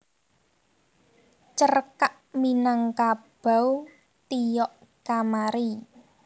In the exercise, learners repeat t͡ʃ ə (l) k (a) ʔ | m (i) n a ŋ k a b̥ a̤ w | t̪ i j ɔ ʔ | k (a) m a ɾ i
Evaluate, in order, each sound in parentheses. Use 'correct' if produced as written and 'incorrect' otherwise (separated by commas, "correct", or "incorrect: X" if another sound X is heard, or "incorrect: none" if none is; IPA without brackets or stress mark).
incorrect: r, correct, correct, correct